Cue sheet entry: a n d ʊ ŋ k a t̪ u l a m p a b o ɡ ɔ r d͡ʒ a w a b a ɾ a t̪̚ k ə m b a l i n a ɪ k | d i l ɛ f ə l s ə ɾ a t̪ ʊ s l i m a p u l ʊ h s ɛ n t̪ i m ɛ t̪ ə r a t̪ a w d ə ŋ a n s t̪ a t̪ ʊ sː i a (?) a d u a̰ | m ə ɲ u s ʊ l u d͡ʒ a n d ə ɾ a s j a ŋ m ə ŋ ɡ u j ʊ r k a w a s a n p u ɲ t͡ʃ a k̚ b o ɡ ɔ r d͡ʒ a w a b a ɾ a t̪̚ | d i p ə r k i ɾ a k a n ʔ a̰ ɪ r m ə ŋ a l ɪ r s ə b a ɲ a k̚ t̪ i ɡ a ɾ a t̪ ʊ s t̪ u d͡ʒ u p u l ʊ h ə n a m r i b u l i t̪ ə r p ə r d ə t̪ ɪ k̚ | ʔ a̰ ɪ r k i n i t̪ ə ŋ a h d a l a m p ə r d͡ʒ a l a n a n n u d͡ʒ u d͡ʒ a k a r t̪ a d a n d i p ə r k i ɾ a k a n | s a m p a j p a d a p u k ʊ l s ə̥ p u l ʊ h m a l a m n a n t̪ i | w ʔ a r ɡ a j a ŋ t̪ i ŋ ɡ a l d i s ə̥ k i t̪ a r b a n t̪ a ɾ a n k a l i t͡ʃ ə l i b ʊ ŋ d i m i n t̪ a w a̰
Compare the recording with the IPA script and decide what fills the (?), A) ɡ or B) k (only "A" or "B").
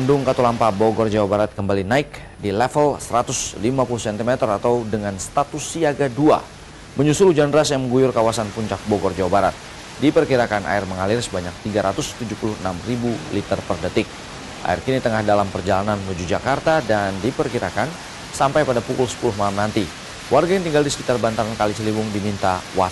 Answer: A